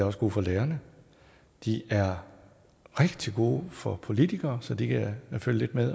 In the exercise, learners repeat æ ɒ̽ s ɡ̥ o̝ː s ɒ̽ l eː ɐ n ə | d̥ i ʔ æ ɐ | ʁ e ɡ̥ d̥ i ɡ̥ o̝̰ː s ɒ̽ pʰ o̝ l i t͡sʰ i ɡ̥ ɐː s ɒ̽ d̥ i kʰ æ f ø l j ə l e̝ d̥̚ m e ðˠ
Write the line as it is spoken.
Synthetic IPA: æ ɒ̽ s ɡ̥ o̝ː f ɒ̽ l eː ɐ n ə | d̥ i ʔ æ ɐ | ʁ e ɡ̥ d̥ i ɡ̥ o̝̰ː f ɒ̽ pʰ o̝ l i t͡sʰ i ɡ̥ ɐː s ɒ̽ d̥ i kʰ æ f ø l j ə l e̝ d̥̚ m e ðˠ